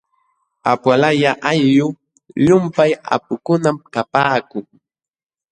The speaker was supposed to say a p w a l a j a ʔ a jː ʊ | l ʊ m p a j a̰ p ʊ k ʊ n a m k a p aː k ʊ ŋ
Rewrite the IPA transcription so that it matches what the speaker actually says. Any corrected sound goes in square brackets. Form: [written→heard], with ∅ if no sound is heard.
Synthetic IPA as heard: a p w a l a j a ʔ a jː ʊ | [l→ʎ] ʊ m p a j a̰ p ʊ k ʊ n a m k a p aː k ʊ ŋ